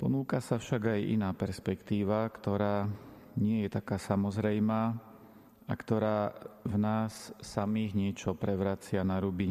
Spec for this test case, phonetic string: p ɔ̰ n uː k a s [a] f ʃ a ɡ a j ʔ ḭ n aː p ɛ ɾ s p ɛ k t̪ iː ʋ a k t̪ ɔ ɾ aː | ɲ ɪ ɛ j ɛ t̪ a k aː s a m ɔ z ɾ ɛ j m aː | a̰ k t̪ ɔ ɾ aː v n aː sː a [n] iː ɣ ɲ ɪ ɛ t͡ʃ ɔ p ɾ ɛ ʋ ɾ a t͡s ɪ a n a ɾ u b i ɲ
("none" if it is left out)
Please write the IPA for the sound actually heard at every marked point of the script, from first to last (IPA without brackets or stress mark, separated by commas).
a, m